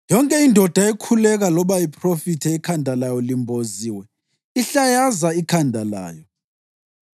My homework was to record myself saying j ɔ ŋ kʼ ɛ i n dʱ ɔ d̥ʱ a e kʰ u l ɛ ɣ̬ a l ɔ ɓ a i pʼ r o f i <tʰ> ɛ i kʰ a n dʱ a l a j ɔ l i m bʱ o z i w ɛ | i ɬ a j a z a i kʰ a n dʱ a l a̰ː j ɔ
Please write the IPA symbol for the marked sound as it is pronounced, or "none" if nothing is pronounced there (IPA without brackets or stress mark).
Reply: tʰ